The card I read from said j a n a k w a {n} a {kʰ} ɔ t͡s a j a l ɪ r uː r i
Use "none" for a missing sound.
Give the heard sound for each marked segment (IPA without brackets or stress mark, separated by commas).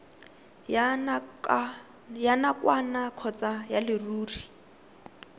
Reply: n, kʰ